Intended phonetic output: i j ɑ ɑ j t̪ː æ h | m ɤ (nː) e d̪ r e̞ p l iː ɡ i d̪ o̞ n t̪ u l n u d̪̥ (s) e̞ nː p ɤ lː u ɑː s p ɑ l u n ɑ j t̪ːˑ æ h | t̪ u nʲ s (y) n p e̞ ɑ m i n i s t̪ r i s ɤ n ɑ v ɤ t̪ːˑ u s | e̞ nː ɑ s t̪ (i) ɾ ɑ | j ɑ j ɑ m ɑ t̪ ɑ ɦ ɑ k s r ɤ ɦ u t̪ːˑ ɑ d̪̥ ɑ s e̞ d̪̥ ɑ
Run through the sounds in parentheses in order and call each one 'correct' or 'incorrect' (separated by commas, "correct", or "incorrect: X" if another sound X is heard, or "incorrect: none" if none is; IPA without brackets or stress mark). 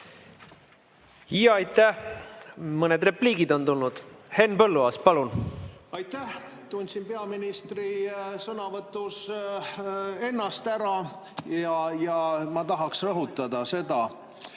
incorrect: n, incorrect: h, incorrect: i, incorrect: æ